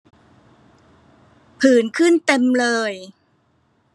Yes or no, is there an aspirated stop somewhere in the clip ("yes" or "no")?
yes